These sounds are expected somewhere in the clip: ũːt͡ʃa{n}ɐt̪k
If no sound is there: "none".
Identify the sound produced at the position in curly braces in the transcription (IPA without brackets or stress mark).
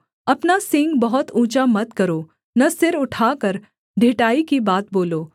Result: m